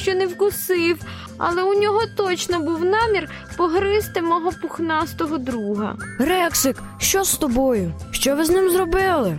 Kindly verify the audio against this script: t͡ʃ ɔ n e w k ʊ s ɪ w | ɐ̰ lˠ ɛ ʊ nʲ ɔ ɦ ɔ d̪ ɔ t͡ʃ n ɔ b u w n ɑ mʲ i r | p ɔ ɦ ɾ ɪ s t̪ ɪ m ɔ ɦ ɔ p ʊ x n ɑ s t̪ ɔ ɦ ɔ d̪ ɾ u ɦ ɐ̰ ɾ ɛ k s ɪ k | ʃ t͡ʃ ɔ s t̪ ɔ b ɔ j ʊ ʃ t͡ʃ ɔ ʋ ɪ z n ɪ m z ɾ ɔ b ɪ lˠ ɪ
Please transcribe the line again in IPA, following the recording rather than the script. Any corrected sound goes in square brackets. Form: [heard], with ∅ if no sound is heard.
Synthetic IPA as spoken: t͡ʃ ɔ n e w k ʊ s ɪ w | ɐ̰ lˠ ɛ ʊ nʲ ɔ ɦ ɔ [t̪] ɔ t͡ʃ n ɔ b u w n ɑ mʲ i r | p ɔ ɦ ɾ ɪ s t̪ ɪ m ɔ ɦ ɔ p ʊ x n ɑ s t̪ ɔ ɦ ɔ d̪ ɾ u ɦ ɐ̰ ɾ ɛ k s ɪ k | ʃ t͡ʃ ɔ s t̪ ɔ b ɔ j ʊ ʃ t͡ʃ ɔ ʋ ɪ z n ɪ m z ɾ ɔ b ɪ lˠ ɪ